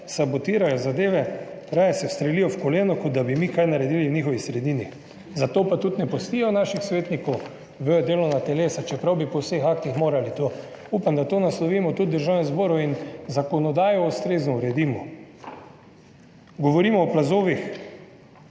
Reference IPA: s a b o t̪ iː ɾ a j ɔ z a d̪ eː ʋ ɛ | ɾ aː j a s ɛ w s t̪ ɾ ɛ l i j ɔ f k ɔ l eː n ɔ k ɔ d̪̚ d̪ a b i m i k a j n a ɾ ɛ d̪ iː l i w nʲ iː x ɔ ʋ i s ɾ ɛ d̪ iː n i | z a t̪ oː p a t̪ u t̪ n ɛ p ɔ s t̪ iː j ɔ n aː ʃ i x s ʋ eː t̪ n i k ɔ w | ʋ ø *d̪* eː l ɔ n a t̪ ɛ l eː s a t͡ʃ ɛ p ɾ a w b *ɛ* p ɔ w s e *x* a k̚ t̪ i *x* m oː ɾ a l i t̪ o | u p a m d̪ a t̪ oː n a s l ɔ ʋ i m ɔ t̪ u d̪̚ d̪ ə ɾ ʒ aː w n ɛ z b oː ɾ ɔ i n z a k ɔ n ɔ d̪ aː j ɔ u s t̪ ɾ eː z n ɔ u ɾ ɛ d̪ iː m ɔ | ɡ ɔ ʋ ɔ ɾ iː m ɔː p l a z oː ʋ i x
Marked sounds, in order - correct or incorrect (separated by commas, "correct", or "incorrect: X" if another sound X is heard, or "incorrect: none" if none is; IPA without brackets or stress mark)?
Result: correct, incorrect: i, correct, correct